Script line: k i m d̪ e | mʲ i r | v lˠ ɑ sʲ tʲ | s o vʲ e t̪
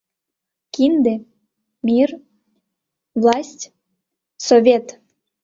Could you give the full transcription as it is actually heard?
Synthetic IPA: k i n d̪ e | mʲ i r | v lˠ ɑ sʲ tʲ | s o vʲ e t̪